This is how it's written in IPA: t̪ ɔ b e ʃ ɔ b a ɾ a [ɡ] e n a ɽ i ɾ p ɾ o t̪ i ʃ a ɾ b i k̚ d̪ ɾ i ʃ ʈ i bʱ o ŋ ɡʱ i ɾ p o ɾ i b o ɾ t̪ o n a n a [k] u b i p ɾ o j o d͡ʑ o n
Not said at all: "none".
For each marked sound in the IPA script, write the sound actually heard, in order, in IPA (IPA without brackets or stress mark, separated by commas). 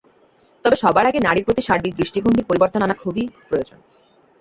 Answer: ɡ, kʰ